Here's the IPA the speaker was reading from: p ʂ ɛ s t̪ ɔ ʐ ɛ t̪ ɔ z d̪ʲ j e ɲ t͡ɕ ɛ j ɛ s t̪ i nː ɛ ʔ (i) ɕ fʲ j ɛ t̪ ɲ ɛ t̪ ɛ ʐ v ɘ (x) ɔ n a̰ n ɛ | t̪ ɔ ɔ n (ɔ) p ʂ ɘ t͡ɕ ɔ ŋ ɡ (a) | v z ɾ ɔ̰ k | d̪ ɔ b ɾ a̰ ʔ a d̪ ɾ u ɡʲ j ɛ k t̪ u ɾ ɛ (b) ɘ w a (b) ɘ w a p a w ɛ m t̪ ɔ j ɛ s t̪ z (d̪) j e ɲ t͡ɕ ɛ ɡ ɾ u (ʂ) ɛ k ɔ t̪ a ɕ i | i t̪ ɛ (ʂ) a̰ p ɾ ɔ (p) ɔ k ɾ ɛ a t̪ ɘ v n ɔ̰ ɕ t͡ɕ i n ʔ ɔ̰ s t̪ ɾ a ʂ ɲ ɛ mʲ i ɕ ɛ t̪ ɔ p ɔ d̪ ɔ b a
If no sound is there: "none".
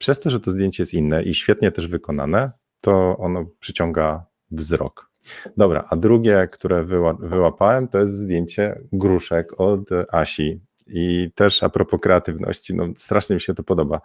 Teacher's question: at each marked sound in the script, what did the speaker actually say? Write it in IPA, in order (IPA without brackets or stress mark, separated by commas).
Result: i, k, ɔ, a, v, v, d̪, ʂ, ʂ, p